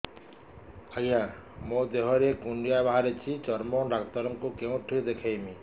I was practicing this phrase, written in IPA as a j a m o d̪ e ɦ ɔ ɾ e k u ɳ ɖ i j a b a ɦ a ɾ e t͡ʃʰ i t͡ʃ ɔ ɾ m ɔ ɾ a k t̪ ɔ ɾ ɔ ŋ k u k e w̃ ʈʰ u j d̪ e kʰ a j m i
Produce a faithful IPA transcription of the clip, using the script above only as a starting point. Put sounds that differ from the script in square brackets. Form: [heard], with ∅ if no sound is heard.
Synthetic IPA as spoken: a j a m o d̪ e ɦ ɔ ɾ e k u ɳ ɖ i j a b a ɦ a ɾ e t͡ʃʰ i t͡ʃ ɔ ɾ m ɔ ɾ a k t̪ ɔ ɾ ɔ ŋ k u k e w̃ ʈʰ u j d̪ e kʰ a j m i